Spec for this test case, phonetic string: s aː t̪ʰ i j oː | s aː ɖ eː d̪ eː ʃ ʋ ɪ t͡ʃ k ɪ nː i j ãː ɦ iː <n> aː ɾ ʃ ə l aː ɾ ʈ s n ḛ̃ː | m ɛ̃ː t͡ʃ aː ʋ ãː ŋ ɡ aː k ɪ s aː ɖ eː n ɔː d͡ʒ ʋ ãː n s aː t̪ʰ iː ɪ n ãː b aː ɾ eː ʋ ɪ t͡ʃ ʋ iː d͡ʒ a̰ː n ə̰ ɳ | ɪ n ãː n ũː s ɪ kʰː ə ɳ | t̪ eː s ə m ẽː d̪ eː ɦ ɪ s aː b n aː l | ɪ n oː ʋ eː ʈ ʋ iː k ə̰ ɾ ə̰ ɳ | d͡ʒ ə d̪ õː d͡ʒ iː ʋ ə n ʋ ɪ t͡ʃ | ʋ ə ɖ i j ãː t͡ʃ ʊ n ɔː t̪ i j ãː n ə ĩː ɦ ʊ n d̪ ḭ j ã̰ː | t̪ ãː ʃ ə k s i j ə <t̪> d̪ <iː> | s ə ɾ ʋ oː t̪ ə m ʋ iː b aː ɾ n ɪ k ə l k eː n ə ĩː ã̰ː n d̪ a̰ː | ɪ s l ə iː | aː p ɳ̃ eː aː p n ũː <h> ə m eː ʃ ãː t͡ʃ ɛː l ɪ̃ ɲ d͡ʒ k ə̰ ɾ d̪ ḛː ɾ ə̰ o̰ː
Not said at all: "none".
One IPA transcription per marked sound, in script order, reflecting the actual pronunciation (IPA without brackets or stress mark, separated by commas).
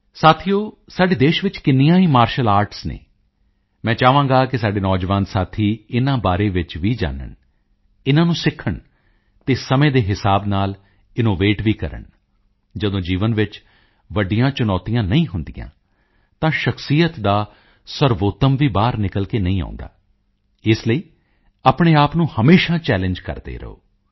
m, t̪, aː, h